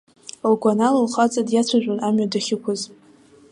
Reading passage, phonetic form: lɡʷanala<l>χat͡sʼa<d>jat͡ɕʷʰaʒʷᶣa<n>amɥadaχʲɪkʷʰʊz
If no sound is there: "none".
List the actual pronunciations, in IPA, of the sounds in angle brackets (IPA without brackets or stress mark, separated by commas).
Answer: l, d, n